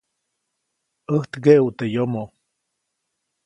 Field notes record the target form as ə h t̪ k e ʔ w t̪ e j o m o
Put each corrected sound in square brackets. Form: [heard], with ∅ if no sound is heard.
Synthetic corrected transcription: ə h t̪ [ɡ] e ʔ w t̪ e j o m o